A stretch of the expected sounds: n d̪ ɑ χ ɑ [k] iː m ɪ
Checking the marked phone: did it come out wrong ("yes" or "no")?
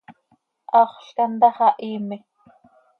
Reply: yes